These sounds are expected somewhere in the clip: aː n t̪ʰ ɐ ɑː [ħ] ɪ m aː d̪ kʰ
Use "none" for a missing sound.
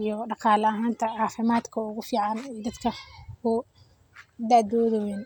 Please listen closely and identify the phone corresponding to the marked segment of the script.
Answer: f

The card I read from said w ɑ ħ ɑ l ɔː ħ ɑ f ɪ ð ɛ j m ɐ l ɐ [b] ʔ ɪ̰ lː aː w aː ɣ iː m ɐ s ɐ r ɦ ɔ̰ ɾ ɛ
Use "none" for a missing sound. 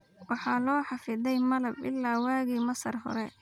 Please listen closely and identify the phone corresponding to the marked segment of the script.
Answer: b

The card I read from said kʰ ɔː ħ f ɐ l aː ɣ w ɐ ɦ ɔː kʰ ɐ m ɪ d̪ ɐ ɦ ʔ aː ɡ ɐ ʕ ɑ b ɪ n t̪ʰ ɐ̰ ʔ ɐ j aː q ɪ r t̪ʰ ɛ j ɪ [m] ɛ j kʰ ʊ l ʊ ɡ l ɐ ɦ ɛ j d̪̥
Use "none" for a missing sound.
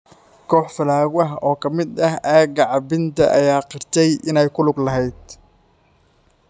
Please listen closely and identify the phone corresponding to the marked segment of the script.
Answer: n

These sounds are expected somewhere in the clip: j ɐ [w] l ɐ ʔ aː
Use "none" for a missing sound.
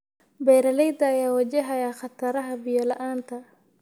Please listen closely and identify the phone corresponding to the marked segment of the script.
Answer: none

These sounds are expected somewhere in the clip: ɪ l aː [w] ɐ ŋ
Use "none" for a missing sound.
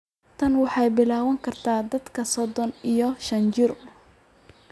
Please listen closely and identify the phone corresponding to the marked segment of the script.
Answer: w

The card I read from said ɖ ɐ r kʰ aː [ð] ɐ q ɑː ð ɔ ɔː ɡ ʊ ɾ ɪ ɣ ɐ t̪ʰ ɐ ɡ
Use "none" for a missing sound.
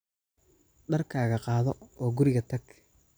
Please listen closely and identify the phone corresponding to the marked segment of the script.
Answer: ɣ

